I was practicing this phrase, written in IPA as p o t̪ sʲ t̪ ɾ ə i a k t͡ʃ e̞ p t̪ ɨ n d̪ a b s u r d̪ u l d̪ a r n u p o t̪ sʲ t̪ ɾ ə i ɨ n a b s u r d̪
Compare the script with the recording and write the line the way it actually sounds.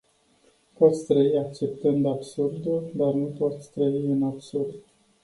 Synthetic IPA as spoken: p o t̪ sʲ t̪ ɾ ə i a k t͡ʃ e̞ p t̪ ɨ n d̪ a b s u r d̪ u l d̪ a r n u p o t̪ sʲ t̪ ɾ ə i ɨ n a b s u r d̪